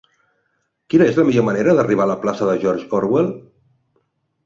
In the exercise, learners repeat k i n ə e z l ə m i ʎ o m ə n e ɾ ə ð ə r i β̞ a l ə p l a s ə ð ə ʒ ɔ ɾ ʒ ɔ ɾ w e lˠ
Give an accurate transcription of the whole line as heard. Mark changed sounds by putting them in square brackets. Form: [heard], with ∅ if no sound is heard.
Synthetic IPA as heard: k i n ə e z l ə m i ʎ o m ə n e ɾ ə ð ə r i β̞ a l ə p l a s ə ð ə ʒ ɔ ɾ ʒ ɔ ɾ w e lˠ